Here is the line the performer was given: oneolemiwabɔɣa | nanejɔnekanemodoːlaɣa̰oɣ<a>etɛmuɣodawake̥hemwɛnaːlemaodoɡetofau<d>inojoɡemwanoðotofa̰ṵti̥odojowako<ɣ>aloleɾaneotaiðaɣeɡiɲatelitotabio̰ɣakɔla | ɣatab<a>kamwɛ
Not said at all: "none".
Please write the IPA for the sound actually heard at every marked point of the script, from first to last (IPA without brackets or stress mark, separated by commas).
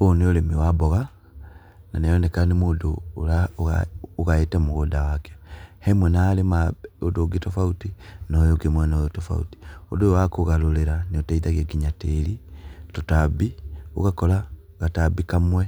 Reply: a, t, ɣ, i